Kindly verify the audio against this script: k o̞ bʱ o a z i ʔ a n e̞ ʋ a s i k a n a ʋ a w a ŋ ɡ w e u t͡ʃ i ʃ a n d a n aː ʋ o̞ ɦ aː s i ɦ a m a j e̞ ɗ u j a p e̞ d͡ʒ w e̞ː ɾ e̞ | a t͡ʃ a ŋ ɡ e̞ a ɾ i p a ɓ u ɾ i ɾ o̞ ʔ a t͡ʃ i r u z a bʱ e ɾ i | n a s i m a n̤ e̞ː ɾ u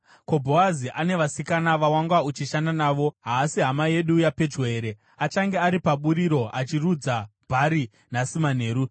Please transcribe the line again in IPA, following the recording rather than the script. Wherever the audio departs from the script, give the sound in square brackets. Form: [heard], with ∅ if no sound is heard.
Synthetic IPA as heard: k o̞ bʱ o a z i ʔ a n e̞ ʋ a s i k a n a ʋ a w a ŋ ɡ w [a] u t͡ʃ i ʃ a n d a n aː ʋ o̞ ɦ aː s i ɦ a m a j e̞ ɗ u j a p e̞ d͡ʒ w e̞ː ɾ e̞ | a t͡ʃ a ŋ ɡ e̞ a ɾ i p a ɓ u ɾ i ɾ o̞ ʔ a t͡ʃ i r u [d͡z] a bʱ [a] ɾ i | n a s i m a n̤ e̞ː ɾ u